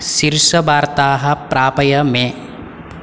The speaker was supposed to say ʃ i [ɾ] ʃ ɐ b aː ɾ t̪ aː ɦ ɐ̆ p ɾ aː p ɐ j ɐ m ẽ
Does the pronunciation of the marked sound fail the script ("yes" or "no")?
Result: no